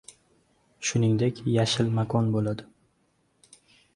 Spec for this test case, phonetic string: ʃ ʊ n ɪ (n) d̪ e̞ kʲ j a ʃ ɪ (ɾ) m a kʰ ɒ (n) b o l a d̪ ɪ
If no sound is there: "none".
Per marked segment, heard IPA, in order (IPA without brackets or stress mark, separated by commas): ŋ, l, n